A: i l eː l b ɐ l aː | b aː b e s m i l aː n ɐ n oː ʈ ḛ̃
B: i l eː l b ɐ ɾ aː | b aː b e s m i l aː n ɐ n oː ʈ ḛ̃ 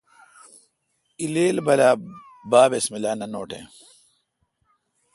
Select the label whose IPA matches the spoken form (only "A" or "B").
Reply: A